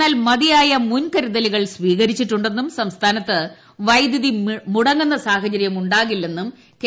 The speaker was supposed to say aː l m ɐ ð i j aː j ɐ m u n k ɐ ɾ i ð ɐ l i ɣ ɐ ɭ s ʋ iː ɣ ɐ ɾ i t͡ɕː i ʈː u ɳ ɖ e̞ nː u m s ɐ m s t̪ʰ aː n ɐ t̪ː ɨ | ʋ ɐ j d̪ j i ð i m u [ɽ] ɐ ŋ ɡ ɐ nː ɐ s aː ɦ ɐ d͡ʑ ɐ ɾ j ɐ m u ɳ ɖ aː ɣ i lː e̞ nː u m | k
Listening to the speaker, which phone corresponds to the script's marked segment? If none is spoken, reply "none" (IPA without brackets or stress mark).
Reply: ɽ